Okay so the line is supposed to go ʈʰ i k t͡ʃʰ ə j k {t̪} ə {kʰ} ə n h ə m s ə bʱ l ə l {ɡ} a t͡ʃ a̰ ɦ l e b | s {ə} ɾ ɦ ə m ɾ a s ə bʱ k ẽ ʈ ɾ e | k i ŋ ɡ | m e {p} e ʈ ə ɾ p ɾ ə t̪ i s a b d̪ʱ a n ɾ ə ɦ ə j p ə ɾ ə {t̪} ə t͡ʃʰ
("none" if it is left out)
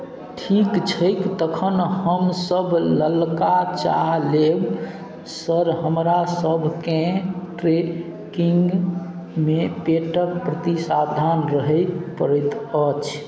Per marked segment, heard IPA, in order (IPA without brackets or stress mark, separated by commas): t̪, kʰ, k, ə, p, t̪